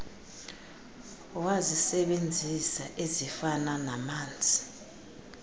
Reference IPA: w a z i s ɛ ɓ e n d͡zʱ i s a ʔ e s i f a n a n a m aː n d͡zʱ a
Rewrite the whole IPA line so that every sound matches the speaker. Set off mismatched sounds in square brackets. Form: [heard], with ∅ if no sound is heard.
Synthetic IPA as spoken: w a z i s ɛ ɓ e n d͡zʱ i s a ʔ e [z] i f a n a n a m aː n d͡zʱ [i]